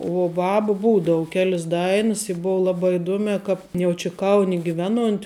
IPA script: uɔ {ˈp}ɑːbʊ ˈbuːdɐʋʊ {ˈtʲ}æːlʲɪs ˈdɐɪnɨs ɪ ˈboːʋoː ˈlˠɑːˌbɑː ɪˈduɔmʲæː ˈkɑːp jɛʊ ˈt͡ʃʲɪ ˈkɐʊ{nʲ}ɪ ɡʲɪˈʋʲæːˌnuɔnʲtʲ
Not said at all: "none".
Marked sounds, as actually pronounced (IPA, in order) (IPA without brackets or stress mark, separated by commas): b, kʲ, nʲ